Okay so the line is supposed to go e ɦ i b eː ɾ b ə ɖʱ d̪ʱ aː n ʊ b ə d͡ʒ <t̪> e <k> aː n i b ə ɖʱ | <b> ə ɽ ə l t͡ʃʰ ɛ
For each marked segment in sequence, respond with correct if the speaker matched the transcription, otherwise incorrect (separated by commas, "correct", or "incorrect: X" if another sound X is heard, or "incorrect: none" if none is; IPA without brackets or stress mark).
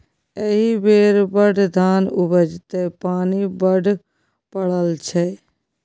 correct, incorrect: p, incorrect: p